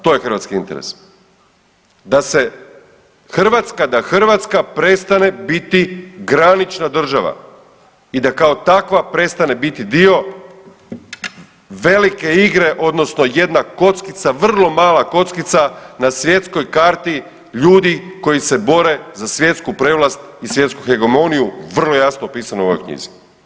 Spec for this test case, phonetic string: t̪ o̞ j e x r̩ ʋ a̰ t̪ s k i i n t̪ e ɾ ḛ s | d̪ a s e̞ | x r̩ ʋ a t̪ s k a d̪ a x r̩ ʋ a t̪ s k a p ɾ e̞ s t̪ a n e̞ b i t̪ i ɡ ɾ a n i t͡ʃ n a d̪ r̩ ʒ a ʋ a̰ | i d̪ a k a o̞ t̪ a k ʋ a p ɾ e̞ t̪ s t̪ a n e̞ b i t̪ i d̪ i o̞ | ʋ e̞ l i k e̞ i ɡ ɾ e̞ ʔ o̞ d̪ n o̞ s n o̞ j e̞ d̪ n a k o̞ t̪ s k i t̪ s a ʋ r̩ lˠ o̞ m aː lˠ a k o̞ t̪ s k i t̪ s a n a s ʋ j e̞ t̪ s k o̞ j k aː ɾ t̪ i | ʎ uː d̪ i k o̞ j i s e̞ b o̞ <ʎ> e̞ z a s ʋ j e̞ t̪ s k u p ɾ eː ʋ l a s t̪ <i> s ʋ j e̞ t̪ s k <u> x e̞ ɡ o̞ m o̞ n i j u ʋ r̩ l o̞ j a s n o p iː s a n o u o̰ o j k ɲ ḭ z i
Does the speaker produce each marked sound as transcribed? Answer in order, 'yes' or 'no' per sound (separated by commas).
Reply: no, yes, yes